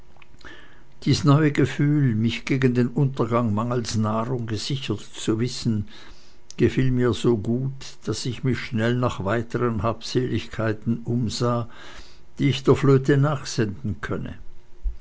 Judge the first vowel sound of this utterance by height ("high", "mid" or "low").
high